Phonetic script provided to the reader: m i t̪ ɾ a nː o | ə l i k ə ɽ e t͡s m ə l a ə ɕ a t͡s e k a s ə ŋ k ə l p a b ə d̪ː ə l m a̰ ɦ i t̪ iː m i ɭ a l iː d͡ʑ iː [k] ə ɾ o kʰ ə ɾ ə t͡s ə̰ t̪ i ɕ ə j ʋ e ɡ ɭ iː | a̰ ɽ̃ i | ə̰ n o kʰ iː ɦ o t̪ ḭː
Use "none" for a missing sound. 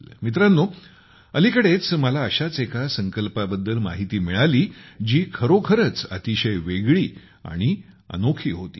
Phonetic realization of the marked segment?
kʰ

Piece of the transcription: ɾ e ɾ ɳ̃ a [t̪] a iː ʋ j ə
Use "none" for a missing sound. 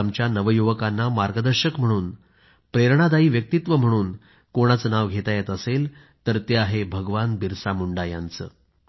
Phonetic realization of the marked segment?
d̪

